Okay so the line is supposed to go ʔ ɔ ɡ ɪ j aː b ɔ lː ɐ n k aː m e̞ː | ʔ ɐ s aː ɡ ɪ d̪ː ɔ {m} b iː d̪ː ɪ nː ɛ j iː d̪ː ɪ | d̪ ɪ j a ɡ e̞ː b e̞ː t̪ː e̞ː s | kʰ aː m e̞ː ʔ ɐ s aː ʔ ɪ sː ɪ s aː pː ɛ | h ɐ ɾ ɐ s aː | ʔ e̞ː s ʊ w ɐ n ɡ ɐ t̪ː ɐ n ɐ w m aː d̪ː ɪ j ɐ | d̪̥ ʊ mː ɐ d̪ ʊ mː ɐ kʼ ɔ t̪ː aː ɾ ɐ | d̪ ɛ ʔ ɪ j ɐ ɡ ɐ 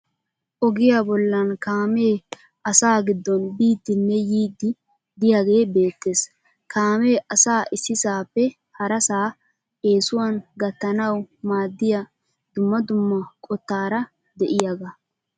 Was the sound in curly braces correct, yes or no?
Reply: no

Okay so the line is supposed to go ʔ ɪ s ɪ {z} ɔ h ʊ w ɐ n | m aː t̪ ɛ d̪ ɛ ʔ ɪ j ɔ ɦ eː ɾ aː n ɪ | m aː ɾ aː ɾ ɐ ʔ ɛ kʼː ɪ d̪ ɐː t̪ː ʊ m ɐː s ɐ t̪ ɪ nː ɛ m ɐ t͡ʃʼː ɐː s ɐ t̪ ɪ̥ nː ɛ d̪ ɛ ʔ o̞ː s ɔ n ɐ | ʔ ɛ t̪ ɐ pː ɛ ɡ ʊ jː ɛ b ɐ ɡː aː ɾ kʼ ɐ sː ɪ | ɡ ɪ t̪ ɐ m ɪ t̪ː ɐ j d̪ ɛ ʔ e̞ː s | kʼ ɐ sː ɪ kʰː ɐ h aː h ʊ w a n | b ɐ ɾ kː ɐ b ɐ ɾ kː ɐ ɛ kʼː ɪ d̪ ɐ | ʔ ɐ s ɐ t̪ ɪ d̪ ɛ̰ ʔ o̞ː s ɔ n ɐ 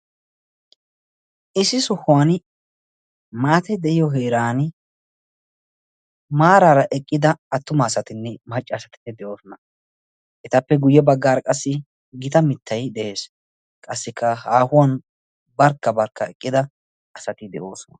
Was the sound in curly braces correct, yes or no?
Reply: no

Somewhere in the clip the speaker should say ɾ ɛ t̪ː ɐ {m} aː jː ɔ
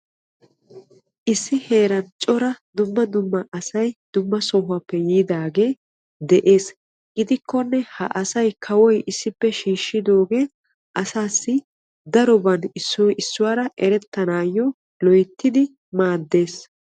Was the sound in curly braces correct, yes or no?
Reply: no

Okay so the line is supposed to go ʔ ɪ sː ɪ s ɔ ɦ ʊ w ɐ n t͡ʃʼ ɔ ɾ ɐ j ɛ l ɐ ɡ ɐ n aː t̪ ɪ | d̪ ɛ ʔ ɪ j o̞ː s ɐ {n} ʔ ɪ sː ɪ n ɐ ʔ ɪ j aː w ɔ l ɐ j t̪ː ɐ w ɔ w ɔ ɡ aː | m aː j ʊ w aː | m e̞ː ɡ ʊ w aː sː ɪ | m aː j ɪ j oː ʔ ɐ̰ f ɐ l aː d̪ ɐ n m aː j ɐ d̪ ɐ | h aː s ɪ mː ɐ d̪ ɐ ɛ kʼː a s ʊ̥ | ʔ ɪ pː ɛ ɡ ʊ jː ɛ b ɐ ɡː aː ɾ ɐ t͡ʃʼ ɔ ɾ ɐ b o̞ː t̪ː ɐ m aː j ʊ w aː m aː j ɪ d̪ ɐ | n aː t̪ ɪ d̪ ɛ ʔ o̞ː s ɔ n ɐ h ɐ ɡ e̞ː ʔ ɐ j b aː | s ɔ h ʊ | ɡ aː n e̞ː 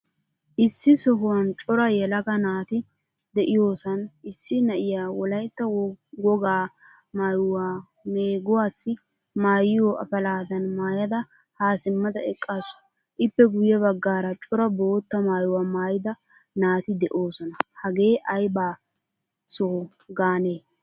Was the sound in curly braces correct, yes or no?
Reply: yes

